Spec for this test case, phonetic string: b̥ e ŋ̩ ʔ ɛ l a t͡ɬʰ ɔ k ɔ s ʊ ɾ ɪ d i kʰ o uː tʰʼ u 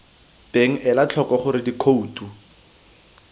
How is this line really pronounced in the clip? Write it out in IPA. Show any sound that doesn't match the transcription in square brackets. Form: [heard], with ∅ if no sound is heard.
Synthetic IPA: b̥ e ŋ̩ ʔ ɛ l a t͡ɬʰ ɔ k ɔ [χ] ʊ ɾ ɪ d i kʰ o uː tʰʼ u

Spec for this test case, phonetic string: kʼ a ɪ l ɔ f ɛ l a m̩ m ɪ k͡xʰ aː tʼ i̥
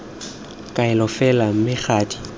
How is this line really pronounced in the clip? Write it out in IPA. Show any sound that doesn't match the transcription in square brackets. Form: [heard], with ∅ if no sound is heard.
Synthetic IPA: kʼ a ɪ l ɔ f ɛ l a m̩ m ɪ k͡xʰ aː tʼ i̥

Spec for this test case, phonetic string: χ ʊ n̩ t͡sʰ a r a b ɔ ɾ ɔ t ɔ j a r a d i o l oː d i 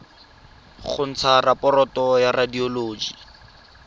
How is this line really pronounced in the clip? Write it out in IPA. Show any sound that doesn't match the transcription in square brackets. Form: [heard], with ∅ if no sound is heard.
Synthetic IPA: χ ʊ n̩ t͡sʰ a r a [p] ɔ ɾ ɔ t ɔ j a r a d i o l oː [d͡ʒ] i

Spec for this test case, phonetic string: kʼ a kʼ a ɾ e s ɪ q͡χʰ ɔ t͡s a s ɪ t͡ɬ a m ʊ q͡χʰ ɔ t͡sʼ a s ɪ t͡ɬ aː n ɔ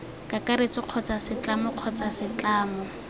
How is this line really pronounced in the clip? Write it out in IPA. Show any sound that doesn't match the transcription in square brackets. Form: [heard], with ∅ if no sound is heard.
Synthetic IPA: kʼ a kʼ a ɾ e [t͡s] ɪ q͡χʰ ɔ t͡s a s ɪ t͡ɬ a m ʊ q͡χʰ ɔ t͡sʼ a s ɪ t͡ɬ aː [m] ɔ

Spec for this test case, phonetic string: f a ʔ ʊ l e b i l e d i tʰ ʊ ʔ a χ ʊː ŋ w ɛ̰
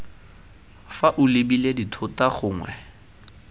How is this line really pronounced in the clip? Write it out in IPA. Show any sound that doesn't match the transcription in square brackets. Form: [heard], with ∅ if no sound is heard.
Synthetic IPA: f a ʔ ʊ l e b i l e d i tʰ ʊ [t] a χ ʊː ŋ w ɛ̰

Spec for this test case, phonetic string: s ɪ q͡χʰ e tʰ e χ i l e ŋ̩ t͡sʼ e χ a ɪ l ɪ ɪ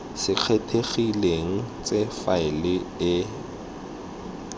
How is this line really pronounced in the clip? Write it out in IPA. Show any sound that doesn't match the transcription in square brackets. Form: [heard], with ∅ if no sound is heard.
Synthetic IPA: s ɪ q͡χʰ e tʰ e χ i l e ŋ̩ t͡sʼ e [f] a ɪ l ɪ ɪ

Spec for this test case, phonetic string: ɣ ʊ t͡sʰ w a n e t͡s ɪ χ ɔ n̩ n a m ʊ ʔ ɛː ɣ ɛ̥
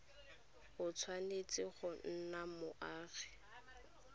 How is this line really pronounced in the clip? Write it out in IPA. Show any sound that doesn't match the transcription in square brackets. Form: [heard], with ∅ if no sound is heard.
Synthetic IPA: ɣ ʊ t͡sʰ w a n e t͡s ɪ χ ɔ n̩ n a m ʊ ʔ [aː] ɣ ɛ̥

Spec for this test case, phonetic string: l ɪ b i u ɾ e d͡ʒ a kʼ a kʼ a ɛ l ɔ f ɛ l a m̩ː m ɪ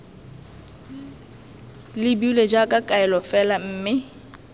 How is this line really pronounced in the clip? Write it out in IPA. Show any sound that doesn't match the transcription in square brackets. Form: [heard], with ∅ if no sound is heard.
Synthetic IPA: l ɪ b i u [l] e d͡ʒ a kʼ a kʼ a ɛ l ɔ f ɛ l a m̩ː m ɪ

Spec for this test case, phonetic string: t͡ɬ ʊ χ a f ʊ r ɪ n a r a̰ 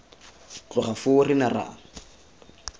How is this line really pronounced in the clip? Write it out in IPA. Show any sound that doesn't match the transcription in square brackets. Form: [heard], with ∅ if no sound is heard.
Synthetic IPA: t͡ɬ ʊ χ a f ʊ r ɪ n a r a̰

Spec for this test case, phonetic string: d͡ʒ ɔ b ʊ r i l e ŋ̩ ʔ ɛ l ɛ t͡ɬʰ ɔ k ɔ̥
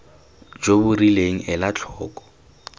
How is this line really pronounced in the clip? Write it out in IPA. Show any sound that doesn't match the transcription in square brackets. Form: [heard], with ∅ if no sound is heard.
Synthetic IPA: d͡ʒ [o] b ʊ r i l e ŋ̩ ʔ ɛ l [a] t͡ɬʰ [ɔː] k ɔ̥

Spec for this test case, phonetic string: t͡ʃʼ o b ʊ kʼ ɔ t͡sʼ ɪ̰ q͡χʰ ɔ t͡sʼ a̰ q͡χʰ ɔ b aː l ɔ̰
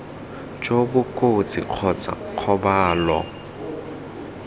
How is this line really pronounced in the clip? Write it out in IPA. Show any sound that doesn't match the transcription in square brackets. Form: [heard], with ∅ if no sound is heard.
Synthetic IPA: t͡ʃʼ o b ʊ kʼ [o] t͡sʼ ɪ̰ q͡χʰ ɔ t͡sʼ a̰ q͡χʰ ɔ b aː l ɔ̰

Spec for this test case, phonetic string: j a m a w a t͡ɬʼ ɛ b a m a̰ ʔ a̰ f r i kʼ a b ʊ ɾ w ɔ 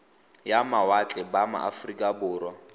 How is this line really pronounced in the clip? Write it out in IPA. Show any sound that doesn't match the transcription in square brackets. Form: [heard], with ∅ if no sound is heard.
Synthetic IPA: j a m a w a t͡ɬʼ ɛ b a m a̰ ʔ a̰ f r i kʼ a b [ʊː] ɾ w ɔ

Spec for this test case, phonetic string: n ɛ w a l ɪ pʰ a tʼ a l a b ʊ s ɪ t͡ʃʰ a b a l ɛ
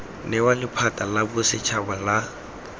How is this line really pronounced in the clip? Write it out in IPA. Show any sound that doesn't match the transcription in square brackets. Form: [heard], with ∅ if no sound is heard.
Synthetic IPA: n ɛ w a l ɪ pʰ a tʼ a l a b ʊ s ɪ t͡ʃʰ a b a l [a]

